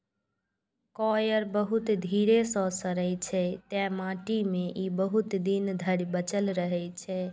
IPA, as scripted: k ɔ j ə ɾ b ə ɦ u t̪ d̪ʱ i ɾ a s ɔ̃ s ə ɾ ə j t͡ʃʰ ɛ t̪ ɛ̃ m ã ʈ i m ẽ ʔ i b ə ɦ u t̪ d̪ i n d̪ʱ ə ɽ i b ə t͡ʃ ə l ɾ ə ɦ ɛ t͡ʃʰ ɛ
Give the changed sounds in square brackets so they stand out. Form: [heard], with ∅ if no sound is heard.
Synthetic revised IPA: k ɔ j ə ɾ b ə ɦ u t̪ d̪ʱ i ɾ [e] s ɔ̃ s ə ɾ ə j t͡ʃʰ ɛ t̪ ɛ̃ m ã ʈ i m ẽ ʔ i b ə ɦ u t̪ d̪ i n d̪ʱ ə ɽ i b ə t͡ʃ ə l ɾ ə ɦ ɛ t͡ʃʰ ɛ